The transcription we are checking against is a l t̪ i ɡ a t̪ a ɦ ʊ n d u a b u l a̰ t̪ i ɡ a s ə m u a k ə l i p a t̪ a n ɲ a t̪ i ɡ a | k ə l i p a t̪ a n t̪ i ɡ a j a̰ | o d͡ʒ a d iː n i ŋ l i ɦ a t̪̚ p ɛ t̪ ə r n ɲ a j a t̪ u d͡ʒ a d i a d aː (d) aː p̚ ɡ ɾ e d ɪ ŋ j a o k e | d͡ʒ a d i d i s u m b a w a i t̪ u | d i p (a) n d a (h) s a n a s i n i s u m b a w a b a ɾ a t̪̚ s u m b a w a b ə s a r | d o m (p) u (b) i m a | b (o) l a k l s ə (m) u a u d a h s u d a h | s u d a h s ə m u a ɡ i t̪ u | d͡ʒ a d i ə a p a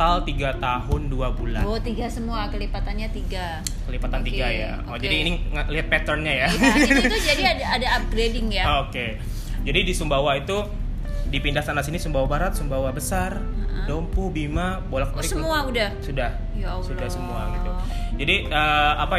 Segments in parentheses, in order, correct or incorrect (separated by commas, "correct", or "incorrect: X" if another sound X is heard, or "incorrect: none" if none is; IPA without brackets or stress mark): correct, incorrect: i, correct, correct, correct, correct, correct